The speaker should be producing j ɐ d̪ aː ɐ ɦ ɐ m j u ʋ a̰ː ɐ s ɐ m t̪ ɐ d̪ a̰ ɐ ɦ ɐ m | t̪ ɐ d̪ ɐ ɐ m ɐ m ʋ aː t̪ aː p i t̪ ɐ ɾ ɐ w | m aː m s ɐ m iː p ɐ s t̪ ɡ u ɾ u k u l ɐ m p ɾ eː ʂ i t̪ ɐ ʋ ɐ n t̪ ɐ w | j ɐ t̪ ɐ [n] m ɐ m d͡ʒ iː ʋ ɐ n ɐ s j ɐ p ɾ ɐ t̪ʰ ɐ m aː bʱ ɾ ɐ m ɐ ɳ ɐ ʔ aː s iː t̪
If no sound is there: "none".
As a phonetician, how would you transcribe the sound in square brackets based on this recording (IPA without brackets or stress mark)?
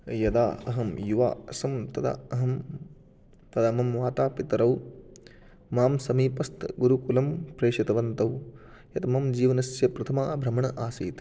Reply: none